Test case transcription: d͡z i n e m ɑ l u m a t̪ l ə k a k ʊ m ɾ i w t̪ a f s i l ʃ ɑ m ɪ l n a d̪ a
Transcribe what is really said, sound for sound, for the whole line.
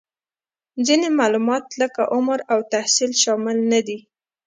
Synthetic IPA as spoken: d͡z i n e m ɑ l u m ɑ t̪ l ə k a ʔ ʊ m ɾ a w t̪ a h s i l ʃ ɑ m ɪ l n a d̪ i